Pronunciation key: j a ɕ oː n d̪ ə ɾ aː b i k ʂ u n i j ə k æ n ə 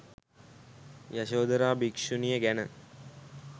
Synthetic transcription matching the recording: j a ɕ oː d̪ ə ɾ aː b i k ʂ u n i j ə ɡ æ n ə